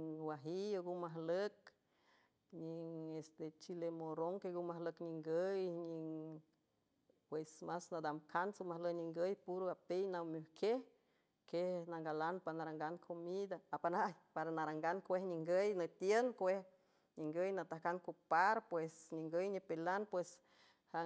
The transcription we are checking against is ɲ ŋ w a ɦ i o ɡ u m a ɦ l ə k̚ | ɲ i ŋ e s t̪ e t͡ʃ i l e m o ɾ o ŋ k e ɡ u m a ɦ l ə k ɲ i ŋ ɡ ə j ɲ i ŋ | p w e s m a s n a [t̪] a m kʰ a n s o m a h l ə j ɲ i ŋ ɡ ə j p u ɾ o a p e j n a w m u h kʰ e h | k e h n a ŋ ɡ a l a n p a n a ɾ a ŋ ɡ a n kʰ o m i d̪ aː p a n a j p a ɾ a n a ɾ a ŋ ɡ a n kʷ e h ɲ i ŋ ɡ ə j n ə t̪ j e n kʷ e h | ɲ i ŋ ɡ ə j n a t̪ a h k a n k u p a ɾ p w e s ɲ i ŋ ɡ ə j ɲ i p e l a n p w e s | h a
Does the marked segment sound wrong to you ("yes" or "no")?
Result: yes